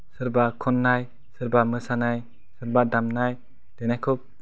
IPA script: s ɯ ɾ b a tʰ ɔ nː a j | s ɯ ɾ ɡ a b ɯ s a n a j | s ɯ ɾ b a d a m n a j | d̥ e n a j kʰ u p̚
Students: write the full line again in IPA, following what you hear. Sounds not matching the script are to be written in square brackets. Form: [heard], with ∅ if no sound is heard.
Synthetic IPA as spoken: s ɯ ɾ b a [kʰ] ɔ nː a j | s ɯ ɾ [b] a [m] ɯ s a n a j | s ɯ ɾ b a d a m n a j | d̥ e n a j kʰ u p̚